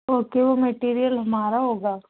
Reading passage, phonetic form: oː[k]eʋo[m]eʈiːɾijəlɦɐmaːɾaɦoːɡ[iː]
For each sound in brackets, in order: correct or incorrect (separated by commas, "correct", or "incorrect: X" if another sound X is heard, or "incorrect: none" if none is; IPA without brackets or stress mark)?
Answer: correct, correct, incorrect: aː